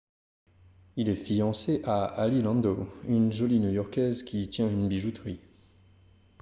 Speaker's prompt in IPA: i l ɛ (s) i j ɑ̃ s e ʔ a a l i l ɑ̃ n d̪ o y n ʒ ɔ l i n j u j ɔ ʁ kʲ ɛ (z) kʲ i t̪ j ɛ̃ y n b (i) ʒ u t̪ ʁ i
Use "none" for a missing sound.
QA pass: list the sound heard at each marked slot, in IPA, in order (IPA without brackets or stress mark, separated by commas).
f, z, i